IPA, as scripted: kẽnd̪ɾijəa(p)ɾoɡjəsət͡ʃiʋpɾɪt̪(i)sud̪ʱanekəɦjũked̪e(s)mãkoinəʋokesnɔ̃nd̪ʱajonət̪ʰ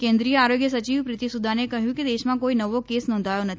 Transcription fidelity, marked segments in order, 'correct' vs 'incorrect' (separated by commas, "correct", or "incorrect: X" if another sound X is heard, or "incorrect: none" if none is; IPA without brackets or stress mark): incorrect: none, correct, incorrect: ʃ